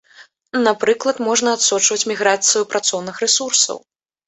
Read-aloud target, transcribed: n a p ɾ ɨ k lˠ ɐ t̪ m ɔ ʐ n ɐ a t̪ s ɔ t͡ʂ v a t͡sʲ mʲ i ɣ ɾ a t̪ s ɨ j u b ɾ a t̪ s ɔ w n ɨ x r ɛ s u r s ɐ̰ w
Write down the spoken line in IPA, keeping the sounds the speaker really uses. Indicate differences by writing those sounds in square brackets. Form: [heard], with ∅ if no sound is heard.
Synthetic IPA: n a p ɾ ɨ k lˠ ɐ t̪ m ɔ ʐ n ɐ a t̪ s ɔ t͡ʂ v [ɐ] t͡sʲ mʲ i ɣ ɾ a t̪ s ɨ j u [p] ɾ a t̪ s ɔ w n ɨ x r ɛ s u r s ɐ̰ w